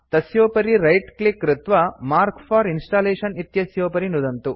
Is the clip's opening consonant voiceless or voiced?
voiceless